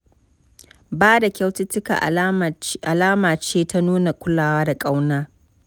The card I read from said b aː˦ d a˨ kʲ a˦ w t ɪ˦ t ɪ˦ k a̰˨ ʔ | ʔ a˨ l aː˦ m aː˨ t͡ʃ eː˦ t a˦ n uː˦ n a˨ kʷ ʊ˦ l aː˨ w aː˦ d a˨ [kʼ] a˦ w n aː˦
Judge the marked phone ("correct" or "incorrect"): correct